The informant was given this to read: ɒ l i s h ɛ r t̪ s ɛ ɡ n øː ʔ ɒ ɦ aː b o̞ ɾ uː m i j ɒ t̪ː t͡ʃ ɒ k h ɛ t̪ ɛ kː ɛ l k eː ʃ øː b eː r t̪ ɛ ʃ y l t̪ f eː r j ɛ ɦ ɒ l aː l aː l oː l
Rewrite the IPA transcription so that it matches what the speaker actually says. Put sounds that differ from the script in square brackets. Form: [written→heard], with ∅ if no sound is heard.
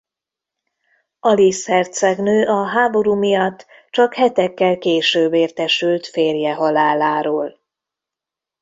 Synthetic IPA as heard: ɒ l i s h ɛ r t̪ s ɛ ɡ n øː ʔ ɒ ɦ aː b o̞ ɾ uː m i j ɒ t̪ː t͡ʃ ɒ k h ɛ t̪ ɛ kː ɛ l k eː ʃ øː b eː r t̪ ɛ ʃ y l t̪ f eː r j ɛ ɦ ɒ l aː l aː [l→ɾ] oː l